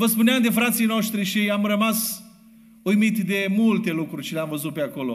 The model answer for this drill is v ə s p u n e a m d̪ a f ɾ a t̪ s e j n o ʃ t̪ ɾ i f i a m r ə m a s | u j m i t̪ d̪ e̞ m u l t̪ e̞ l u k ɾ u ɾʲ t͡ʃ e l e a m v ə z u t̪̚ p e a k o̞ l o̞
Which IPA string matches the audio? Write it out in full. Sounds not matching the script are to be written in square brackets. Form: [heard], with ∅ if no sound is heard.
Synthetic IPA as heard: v ə s p u n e a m d̪ [e] f ɾ a t̪ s [i] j n o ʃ t̪ ɾ i [ʃ] i a m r ə m a s | u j m i t̪ d̪ e̞ m u l t̪ e̞ l u k ɾ u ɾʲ t͡ʃ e l e a m v ə z u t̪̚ p e a k o̞ l o̞